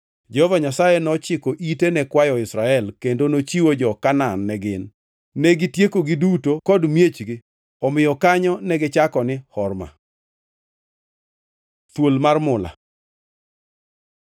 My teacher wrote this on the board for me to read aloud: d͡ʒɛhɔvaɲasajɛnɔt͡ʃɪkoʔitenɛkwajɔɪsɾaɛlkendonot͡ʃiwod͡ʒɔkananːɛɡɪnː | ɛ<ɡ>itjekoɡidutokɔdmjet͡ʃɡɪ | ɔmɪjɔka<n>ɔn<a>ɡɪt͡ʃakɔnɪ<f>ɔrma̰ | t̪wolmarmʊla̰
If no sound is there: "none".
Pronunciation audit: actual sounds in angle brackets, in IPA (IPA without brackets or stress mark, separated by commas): ɡ, ɲ, ɛ, h